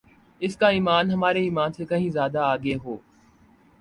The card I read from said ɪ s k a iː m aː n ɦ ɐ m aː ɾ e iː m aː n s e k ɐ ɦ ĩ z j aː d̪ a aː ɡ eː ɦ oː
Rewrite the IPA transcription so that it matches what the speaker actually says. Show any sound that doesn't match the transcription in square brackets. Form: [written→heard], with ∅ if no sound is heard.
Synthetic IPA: ɪ s k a iː m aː n ɦ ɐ m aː ɾ e iː m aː n s e k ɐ ɦ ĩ z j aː d̪ a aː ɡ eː ɦ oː